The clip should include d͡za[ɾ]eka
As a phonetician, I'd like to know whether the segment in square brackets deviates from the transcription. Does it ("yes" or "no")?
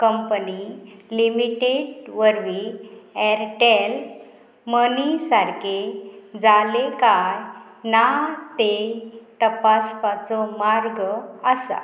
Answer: yes